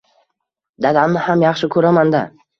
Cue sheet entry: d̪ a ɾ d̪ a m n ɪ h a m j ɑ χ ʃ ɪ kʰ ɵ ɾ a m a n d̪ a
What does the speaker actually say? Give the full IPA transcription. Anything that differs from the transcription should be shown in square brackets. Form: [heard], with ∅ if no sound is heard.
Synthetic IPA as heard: d̪ a [∅] d̪ a m n ɪ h a m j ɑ χ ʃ ɪ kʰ ɵ ɾ a m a n d̪ a